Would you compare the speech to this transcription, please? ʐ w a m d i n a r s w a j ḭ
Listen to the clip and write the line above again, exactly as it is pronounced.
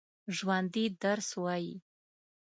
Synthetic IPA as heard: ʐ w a n d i d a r s w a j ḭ